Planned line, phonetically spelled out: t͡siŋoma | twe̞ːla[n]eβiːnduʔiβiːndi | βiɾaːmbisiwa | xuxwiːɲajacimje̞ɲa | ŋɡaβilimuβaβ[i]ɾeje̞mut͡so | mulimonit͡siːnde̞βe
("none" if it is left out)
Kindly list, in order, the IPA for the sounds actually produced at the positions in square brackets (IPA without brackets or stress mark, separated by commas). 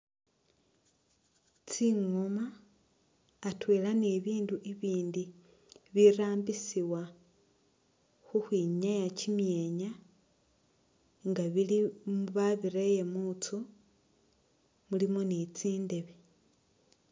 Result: n, i